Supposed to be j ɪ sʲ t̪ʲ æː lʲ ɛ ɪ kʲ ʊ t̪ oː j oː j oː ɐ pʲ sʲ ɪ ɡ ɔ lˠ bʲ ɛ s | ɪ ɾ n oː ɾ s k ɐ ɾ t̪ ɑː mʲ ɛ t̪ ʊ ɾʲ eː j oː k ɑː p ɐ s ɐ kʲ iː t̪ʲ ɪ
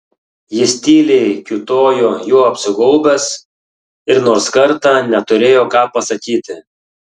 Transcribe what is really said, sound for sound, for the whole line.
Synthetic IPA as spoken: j ɪ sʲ t̪ʲ iː lʲ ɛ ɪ kʲ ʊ t̪ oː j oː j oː ɐ pʲ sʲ ɪ ɡ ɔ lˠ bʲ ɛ s | ɪ ɾ n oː ɾ s k ɐ ɾ t̪ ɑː nʲ ɛ t̪ ʊ ɾʲ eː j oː k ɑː p ɐ s ɐ kʲ iː t̪ʲ ɪ